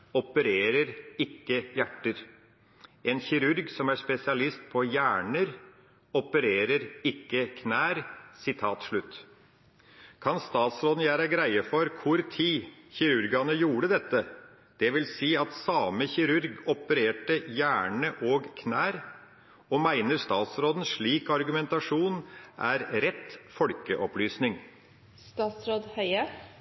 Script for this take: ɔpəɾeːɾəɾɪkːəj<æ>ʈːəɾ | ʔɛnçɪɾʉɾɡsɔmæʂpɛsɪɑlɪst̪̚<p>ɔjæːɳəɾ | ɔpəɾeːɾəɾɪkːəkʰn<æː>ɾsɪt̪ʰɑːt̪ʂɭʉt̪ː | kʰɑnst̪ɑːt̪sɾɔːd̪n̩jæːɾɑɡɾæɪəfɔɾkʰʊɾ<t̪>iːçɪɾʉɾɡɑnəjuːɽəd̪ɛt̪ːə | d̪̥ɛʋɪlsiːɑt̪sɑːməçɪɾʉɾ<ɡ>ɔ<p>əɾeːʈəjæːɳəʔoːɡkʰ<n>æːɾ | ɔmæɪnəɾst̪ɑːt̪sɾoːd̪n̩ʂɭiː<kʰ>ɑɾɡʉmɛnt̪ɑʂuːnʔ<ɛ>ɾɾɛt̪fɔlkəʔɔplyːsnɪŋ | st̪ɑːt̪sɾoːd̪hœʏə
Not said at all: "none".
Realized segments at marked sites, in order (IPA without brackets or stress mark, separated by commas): æ, pʰ, æː, t̪ʰ, ɡ, p, n, k, æ